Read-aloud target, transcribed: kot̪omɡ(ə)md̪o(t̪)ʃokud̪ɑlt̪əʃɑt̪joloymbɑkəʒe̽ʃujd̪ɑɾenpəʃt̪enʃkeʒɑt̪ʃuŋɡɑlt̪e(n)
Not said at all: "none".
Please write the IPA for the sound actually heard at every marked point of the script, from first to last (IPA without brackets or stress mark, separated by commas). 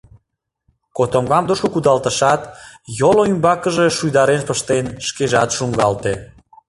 ɑ, none, none